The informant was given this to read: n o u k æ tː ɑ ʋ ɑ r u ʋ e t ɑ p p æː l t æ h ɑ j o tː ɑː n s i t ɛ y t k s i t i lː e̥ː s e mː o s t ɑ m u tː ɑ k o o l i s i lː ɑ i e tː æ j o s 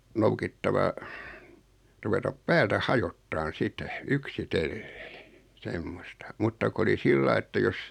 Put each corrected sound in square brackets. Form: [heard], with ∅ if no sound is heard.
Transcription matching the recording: n o u k [i] tː ɑ ʋ ɑ r u ʋ e t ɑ p p æː l t æ h ɑ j o tː ɑː n s i t ɛ y [∅] k s i t [e] lː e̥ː s e mː o s t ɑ m u tː ɑ k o o l i s i lː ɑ i e tː æ j o s